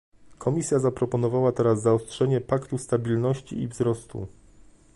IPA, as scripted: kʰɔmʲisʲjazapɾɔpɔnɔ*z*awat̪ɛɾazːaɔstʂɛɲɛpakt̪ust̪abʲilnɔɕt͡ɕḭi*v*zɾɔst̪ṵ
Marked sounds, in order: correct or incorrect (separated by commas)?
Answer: incorrect, correct